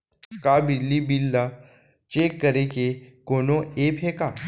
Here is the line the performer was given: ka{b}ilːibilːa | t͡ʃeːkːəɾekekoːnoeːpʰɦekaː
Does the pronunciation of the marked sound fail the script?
no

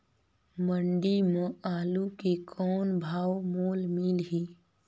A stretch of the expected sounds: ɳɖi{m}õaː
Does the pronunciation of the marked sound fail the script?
no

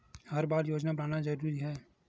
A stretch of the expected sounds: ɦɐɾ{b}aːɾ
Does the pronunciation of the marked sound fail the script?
no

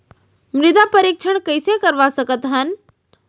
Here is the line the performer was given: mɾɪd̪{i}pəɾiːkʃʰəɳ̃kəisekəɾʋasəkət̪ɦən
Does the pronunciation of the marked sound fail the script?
yes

